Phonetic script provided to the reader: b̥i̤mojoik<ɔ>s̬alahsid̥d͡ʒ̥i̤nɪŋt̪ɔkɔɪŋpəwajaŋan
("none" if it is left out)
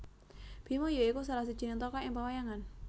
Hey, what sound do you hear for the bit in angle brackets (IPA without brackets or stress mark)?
u